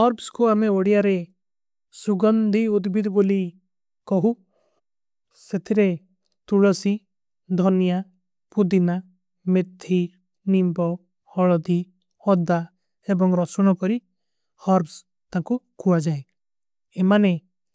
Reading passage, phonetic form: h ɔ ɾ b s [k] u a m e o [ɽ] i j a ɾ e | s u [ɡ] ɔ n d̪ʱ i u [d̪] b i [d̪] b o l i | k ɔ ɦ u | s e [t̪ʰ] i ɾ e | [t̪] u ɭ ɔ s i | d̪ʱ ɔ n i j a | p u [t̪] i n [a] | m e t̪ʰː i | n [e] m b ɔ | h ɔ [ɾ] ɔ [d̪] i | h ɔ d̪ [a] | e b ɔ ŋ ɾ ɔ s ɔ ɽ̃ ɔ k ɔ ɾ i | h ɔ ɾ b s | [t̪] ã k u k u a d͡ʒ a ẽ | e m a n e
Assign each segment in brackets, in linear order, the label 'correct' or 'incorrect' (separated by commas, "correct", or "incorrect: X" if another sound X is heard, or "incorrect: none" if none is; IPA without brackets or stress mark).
correct, correct, correct, correct, correct, correct, correct, incorrect: d̪, correct, incorrect: i, incorrect: ɭ, correct, correct, correct